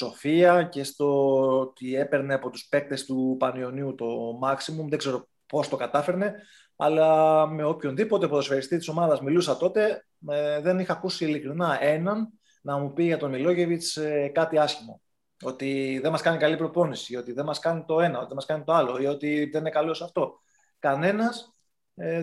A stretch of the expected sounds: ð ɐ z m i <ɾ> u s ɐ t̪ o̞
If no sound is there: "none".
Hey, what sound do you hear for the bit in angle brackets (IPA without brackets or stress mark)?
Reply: l